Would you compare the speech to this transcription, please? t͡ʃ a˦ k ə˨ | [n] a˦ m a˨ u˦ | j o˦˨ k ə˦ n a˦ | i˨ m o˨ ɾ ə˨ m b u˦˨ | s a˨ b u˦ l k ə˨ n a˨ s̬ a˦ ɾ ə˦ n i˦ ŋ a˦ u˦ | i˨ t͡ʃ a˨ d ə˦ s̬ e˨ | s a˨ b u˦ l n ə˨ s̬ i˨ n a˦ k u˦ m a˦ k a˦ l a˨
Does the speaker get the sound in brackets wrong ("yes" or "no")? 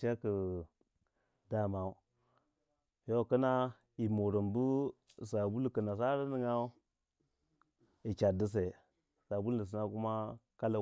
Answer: yes